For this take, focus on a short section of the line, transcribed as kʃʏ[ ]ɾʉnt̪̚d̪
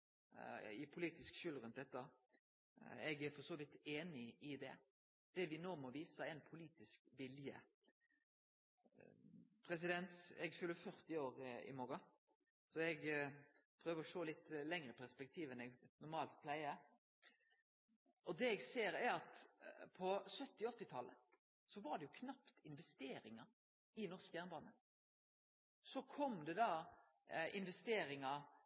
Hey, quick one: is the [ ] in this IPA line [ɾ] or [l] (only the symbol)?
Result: l